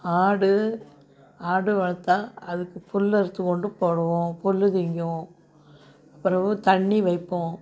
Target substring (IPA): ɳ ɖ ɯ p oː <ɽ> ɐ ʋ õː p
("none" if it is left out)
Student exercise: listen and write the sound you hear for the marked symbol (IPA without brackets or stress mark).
ɽ